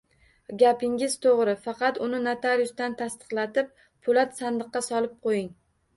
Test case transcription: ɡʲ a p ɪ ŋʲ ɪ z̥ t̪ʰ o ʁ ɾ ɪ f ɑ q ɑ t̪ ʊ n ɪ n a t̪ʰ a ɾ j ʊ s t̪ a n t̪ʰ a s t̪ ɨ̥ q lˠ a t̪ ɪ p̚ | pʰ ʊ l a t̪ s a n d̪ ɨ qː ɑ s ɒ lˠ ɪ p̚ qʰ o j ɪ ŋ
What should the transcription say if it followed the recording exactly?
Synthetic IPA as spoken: ɡʲ a p ɪ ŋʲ ɪ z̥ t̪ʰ o ʁ ɾ ɪ f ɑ q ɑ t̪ ʊ n ɪ n a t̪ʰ a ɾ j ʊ s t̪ a n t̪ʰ a s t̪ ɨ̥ q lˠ a t̪ ɪ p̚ | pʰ ʊ l a t̪ s a n d̪ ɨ qː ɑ s ɒ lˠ ɪ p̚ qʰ o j ɪ ŋ

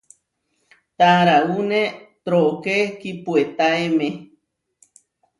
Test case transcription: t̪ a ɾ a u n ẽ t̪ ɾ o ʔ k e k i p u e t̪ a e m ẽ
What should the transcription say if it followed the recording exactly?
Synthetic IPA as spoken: t̪ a ɾ a u n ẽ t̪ ɾ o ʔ k e k i p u e t̪ a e m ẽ

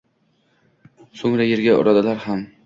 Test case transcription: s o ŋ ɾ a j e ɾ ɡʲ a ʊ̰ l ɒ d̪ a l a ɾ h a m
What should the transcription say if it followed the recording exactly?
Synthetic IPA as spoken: s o ŋ ɾ a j e ɾ ɡʲ a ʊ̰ ɾ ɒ d̪ a l a ɾ h a m

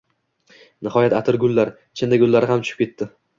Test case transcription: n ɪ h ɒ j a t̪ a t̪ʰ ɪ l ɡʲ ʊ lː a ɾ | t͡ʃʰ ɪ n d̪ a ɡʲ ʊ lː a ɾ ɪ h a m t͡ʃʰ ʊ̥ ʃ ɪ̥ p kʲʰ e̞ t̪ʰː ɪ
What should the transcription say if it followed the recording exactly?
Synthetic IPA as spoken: n ɪ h ɒ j a t̪ a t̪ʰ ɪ ɾ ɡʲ ʊ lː a ɾ | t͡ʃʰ ɪ n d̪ a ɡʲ ʊ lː a ɾ ɪ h a m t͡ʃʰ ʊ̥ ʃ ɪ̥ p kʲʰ e̞ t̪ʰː ɪ

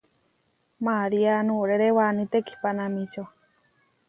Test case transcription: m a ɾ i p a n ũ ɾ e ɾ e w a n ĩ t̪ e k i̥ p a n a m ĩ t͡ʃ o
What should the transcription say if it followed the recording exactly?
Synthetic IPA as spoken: m a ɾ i a n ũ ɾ e ɾ e w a n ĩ t̪ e k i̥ p a n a m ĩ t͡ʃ o

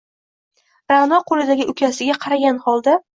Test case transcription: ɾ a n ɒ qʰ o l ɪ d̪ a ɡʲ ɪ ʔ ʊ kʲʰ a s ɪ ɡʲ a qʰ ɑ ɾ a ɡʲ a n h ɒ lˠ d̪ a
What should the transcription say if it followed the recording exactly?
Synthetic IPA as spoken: ɾ a n ɒ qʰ o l ɪ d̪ a ɡʲ ɪ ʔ ʊ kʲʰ a s ɪ ɡʲ a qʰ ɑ ɾ a ɡʲ a n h ɒ lˠ d̪ a

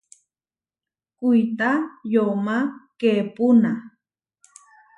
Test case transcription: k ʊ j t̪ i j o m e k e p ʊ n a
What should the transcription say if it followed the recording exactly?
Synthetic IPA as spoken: k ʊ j t̪ a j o m a k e p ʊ n a

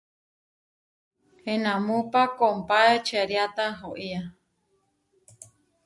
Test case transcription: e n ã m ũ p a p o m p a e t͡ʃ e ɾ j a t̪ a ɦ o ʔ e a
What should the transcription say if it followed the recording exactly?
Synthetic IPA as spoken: e n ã m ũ p a k o m p a e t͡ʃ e ɾ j a t̪ a ɦ o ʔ i a

